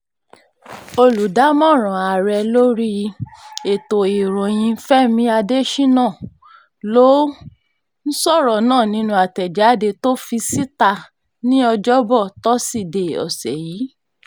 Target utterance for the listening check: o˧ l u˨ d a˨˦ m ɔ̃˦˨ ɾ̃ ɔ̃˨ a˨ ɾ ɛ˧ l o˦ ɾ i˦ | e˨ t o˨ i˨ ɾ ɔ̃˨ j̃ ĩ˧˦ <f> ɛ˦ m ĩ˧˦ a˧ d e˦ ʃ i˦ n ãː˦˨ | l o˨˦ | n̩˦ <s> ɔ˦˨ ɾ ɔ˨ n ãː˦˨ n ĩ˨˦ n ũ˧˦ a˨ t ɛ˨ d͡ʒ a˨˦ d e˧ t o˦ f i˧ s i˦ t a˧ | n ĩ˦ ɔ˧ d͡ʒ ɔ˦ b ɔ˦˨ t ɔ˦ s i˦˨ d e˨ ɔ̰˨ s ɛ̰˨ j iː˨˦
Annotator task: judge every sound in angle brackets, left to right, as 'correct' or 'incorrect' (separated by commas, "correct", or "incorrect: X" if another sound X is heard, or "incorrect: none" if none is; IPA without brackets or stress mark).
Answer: correct, correct